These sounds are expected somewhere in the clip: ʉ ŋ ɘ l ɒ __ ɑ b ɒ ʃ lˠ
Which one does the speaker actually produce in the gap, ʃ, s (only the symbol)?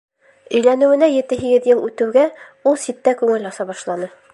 s